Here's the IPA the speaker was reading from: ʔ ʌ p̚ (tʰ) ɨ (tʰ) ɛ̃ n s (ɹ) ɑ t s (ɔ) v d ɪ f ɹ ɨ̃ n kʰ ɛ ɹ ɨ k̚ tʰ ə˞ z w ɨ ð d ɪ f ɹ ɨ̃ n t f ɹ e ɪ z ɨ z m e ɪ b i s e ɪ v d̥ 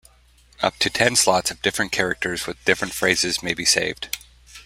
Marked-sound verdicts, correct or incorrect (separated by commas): correct, correct, incorrect, incorrect